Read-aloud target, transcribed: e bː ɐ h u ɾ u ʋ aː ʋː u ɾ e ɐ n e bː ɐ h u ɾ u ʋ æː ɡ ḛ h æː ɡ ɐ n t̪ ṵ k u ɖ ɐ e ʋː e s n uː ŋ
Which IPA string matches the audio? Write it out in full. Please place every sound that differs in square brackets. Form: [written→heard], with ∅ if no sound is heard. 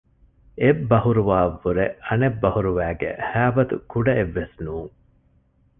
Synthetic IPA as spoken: e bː ɐ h u ɾ u ʋ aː ʋː u ɾ e ɐ n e bː ɐ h u ɾ u ʋ æː ɡ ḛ h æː [ɡ→b] ɐ [n→∅] t̪ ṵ k u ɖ ɐ e ʋː e s n uː ŋ